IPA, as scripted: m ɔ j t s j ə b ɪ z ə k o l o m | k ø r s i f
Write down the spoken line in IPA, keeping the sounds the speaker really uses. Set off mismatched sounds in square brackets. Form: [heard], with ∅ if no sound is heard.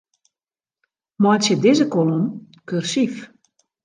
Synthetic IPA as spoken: m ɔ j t s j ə [d] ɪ z ə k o l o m | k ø r s i f